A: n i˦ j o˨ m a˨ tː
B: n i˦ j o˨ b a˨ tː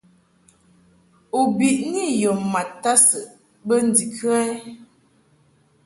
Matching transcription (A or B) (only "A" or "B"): A